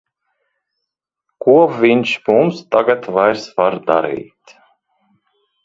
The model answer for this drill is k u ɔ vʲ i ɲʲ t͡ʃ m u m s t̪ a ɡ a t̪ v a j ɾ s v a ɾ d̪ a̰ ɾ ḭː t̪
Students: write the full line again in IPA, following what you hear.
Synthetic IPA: k u ɔ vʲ i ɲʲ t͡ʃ m u m s t̪ a ɡ a t̪ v a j ɾ s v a ɾ d̪ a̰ ɾ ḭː t̪